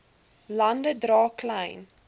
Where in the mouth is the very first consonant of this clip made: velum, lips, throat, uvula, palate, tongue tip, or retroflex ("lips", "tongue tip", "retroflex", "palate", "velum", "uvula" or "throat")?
tongue tip